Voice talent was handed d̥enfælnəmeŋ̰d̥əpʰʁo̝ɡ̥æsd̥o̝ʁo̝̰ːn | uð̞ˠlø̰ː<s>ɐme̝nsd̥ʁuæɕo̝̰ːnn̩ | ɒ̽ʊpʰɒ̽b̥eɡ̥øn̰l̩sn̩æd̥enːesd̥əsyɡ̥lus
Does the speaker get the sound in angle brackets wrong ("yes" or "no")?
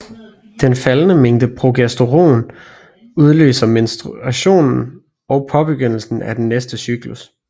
no